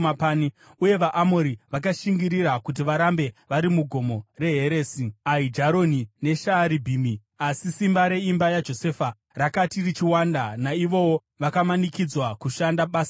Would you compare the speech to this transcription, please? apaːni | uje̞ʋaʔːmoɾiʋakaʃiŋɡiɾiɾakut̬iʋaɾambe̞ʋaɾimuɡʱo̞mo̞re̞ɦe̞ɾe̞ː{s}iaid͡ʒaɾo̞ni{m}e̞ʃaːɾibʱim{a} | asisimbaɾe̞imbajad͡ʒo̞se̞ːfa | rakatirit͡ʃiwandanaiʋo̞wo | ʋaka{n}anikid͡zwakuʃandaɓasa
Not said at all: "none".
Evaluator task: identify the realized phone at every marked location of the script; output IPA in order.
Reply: s, n, i, m

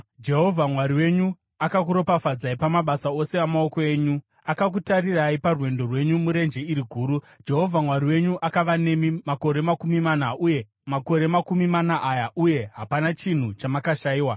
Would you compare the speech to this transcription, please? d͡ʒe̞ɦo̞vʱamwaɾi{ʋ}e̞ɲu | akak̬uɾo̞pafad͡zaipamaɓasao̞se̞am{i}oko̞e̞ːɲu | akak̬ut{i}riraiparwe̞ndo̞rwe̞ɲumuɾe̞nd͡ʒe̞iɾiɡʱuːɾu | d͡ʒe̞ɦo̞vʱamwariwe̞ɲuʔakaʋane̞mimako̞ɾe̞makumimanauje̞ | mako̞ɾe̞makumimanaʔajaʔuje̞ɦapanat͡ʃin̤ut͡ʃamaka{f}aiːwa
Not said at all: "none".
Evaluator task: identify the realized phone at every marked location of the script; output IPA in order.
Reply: w, a, a, ʃ

